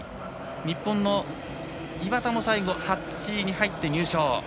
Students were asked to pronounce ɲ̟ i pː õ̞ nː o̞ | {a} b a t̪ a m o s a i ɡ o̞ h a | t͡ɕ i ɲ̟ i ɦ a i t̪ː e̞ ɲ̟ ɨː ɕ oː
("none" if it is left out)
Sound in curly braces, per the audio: i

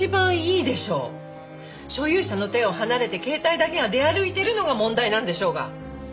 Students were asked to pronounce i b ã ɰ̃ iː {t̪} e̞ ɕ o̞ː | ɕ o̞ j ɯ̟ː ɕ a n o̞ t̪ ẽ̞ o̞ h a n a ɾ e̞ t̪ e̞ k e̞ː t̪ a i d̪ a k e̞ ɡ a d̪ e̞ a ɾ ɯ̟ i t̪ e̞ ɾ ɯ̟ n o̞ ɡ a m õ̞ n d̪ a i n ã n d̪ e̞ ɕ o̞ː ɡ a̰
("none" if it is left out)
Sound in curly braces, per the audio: d̪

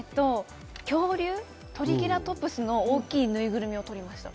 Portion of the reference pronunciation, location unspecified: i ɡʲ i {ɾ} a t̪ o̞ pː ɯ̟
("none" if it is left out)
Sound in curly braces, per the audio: ɾ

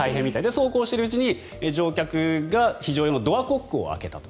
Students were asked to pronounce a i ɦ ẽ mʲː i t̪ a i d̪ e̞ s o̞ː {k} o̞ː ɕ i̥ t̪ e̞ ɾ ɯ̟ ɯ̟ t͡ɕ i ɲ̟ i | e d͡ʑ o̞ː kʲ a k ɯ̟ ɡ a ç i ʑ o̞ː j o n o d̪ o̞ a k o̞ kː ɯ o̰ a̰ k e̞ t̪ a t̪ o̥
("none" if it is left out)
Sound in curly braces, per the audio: k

